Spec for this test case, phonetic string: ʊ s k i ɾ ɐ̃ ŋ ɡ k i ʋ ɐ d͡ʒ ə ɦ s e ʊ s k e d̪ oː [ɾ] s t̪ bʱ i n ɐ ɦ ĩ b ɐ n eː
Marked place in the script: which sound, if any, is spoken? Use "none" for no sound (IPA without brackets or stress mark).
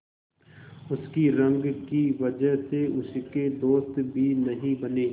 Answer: none